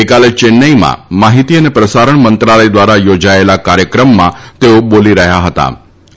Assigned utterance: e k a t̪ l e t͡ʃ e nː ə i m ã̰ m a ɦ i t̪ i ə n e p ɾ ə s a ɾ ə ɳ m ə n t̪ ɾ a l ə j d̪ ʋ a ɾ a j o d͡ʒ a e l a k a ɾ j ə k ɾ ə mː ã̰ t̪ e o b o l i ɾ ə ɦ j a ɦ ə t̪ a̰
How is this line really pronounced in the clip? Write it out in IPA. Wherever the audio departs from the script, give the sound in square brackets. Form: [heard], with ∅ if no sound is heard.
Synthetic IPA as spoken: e k a [∅] l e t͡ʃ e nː ə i m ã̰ m a ɦ i t̪ i ə n e p ɾ ə s a ɾ ə ɳ m ə n t̪ ɾ a l ə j d̪ ʋ a ɾ a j o d͡ʒ a e l a k a ɾ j ə k ɾ ə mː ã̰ t̪ e o b o l i ɾ ə ɦ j a ɦ ə t̪ a̰